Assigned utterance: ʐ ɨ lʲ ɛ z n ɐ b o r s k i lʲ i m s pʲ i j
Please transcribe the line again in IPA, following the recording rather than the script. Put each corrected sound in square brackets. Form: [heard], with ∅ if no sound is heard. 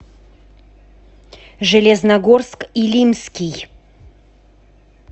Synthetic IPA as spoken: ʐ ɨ lʲ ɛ z n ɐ [ɡ] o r s k i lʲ i m s [kʲ] i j